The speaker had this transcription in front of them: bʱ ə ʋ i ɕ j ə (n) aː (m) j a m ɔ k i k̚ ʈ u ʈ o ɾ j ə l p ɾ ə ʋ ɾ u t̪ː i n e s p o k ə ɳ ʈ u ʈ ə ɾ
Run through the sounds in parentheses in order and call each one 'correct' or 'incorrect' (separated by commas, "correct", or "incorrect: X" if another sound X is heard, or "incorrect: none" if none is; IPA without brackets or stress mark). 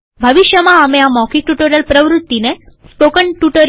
incorrect: m, correct